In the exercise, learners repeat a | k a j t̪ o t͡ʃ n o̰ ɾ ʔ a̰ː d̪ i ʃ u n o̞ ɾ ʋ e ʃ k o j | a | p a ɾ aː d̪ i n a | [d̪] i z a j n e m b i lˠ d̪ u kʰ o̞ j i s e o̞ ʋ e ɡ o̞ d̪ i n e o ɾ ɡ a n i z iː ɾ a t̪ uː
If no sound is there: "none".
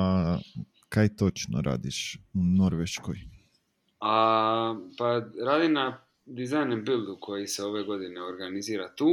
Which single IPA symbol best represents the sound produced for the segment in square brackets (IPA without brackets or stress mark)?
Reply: d̪